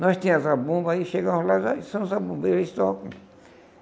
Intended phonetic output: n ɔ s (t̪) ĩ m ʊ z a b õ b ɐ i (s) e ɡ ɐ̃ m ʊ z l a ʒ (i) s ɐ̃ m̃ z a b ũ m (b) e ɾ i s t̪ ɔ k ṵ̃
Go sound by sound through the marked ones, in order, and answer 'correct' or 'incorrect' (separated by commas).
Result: correct, incorrect, incorrect, correct